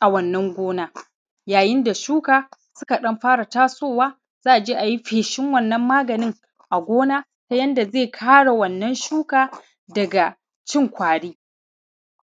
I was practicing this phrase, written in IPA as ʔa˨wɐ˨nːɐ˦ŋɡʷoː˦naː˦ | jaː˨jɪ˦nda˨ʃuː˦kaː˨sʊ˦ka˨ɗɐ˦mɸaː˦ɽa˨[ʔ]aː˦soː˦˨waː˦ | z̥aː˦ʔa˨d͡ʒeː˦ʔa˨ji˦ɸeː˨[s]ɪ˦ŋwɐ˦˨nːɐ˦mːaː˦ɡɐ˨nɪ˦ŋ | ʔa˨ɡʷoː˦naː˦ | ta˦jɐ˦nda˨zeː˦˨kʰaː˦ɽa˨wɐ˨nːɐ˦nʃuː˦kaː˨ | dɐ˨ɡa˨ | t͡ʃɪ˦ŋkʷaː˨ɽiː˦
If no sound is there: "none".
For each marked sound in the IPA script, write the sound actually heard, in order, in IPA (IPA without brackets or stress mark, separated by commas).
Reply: t, ʃ